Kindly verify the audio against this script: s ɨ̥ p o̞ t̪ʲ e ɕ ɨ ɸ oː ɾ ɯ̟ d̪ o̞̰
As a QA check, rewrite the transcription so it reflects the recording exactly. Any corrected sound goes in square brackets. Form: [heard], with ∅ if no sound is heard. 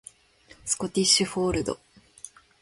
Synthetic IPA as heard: s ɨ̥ [k] o̞ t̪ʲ [i] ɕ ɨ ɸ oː ɾ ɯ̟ d̪ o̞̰